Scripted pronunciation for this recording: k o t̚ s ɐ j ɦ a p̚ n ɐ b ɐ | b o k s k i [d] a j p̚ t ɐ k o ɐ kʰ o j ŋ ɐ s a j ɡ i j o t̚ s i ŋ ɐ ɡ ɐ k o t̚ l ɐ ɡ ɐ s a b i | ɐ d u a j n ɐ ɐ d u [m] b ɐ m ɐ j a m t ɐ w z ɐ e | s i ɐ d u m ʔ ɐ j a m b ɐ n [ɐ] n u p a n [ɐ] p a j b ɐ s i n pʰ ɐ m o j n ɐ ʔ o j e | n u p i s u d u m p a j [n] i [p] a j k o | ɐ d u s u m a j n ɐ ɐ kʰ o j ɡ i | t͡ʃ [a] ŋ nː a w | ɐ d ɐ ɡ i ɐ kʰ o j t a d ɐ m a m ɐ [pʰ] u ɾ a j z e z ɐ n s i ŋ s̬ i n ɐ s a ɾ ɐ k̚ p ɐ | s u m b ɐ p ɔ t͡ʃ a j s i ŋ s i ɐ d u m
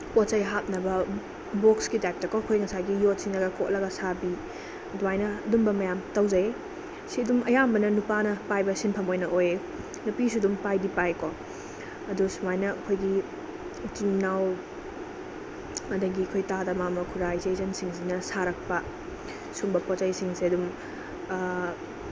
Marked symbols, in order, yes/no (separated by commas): no, yes, yes, yes, no, yes, no, no